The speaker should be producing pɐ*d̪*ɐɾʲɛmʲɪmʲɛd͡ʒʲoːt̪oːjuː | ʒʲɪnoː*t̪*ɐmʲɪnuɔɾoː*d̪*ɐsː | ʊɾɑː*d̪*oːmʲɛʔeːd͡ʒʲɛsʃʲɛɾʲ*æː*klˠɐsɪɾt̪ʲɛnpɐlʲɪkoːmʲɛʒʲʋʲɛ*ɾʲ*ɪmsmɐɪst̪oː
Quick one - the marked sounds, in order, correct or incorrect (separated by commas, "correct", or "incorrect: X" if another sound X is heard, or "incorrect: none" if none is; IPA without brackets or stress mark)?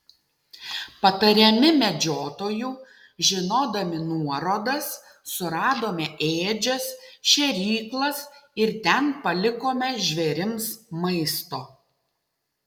incorrect: t̪, incorrect: d̪, correct, correct, incorrect: iː, correct